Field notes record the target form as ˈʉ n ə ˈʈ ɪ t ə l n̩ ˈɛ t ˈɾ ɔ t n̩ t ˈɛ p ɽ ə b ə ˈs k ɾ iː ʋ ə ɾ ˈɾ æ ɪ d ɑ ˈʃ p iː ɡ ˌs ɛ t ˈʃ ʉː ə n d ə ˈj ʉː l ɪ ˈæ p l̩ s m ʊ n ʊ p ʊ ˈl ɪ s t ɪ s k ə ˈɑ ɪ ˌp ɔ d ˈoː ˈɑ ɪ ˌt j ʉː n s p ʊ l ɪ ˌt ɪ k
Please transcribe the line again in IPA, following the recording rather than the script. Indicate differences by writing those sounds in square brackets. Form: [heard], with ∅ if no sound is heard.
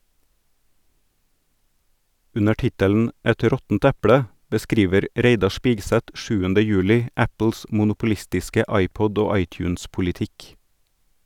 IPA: ˈʉ n ə ˈʈ ɪ t ə l n̩ ˈɛ t ˈɾ ɔ t n̩ t ˈɛ p ɽ ə b ə ˈs k ɾ iː ʋ ə ɾ ˈɾ [e] ɪ d ɑ ˈʃ p iː ɡ ˌs ɛ t ˈʃ ʉː ə n d ə ˈj ʉː l ɪ ˈæ p l̩ s m ʊ n ʊ p ʊ ˈl ɪ s t ɪ s k ə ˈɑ ɪ ˌp ɔ d ˈoː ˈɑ ɪ ˌt j ʉː n s p ʊ l ɪ ˌt ɪ k